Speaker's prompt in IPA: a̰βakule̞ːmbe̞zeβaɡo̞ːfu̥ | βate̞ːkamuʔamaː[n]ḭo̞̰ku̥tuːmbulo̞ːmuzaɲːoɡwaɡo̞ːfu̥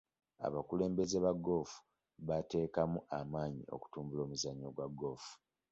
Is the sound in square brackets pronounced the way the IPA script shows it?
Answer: no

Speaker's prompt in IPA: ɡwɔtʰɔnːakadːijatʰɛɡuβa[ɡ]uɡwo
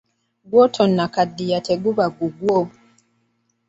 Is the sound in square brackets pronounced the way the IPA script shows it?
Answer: yes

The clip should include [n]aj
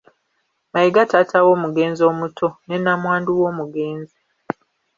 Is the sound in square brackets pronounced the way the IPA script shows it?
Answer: no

